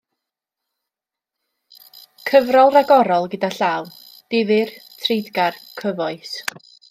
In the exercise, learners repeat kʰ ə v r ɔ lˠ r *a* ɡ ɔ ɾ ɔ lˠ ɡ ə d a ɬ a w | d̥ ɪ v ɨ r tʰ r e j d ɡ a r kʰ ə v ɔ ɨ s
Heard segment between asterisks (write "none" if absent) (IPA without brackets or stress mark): a